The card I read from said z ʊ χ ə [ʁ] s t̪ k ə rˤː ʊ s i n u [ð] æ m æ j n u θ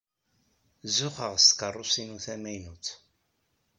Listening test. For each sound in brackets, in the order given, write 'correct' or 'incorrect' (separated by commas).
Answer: correct, incorrect